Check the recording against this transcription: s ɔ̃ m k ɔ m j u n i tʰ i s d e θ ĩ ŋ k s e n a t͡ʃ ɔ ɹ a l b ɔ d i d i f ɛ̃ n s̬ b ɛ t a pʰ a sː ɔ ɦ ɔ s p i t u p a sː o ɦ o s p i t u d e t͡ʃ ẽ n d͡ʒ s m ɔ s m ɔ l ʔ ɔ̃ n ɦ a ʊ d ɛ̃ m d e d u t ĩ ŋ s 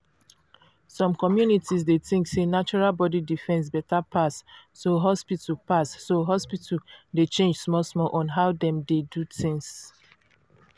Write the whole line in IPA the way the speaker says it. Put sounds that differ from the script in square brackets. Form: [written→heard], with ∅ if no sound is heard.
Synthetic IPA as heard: s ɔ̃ m k ɔ m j u n i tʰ i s d e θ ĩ ŋ k s e n a t͡ʃ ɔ ɹ a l b ɔ d i d i f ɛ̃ n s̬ b ɛ t a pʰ a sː [ɔ→o] ɦ ɔ s p i t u p a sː o ɦ [o→ɔ] s p i t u d e t͡ʃ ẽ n d͡ʒ s m ɔ s m ɔ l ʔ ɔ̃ n ɦ a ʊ d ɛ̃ m d e d u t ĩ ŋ s